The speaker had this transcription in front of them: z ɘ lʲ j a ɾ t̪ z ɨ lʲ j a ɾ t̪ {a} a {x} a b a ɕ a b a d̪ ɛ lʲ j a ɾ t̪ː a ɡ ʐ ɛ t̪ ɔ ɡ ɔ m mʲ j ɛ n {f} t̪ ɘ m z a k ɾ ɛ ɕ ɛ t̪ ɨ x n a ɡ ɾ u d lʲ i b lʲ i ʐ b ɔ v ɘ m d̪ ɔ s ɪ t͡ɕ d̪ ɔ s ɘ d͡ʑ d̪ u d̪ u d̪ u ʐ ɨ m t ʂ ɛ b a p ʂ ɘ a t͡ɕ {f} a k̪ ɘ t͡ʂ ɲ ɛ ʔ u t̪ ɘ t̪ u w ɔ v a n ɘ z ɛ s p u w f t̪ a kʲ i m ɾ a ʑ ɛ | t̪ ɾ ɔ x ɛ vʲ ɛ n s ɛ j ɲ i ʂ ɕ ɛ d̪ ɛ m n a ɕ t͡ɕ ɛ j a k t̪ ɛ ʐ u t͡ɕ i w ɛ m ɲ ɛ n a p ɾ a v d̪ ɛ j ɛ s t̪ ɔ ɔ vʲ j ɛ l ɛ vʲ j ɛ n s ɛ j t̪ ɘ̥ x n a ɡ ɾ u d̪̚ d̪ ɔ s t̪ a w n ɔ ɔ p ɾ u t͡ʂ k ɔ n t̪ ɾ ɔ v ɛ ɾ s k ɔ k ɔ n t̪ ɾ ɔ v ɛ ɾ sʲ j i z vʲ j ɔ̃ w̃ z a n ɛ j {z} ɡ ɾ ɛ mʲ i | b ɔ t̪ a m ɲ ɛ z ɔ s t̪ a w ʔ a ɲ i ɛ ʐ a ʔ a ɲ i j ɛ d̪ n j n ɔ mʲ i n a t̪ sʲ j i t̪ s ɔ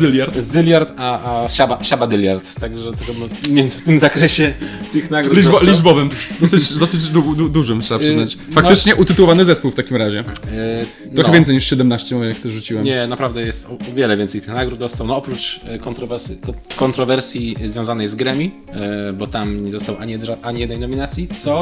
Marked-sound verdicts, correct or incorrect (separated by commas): correct, incorrect, correct, correct, correct